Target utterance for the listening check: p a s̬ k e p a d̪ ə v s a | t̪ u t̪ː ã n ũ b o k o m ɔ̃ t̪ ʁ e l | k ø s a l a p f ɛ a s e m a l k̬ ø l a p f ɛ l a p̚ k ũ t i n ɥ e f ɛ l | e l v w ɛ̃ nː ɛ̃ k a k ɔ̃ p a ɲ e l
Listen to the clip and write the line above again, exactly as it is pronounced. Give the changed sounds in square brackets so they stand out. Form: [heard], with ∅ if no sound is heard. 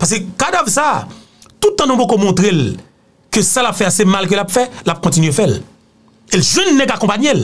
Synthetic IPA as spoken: p a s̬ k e [k] a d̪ [a] v s a | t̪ u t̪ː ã n ũ b o k o m ɔ̃ t̪ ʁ e l | k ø s a l a p f ɛ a s e m a l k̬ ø l a p f ɛ l a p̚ k [ɔ̃] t i n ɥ e f ɛ l | e l [ʒ] w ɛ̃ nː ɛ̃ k a k ɔ̃ p a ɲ e l